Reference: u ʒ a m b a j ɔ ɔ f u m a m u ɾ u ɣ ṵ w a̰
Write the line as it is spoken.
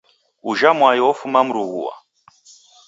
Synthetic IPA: u ʒ a m w a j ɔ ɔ f u m a m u ɾ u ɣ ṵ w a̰